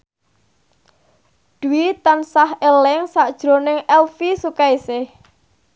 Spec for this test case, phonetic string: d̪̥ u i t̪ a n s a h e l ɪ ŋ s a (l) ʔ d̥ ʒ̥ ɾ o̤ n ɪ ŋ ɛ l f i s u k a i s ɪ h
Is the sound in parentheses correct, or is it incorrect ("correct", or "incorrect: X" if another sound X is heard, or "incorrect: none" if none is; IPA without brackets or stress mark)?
incorrect: none